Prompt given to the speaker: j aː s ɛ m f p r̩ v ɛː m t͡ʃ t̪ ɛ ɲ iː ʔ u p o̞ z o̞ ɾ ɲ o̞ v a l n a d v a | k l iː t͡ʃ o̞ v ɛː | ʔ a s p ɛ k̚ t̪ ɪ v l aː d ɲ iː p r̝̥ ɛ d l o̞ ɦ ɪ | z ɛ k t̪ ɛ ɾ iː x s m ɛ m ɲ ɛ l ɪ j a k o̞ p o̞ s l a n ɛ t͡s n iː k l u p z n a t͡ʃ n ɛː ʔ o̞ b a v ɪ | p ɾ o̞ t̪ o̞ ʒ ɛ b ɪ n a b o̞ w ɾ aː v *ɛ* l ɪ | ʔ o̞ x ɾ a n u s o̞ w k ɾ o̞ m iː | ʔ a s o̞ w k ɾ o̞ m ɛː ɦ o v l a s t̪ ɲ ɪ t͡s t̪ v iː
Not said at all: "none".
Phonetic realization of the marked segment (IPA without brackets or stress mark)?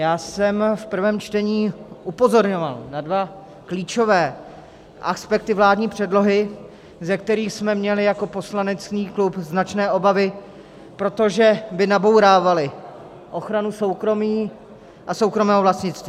a